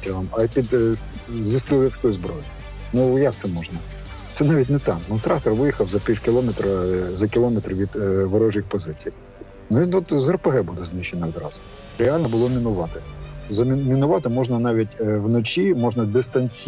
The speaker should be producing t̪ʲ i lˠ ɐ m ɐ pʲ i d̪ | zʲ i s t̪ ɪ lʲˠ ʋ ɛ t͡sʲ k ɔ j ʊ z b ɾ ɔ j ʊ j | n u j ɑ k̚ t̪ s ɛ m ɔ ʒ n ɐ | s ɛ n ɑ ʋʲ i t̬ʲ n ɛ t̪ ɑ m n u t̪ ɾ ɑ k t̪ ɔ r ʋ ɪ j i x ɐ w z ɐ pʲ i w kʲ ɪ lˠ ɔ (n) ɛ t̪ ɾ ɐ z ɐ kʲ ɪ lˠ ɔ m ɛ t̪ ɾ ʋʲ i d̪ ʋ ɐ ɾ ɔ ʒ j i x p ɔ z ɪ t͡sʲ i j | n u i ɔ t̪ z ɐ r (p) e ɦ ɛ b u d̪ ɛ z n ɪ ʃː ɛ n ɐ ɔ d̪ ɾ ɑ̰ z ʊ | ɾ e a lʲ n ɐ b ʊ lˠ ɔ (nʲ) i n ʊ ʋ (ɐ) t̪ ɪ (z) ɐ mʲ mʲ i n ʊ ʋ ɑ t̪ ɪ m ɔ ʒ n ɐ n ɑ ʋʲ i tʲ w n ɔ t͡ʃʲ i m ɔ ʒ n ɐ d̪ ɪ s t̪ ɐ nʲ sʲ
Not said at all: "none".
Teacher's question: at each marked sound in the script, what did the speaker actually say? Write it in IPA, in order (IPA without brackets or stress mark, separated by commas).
m, p, mʲ, ɑ, z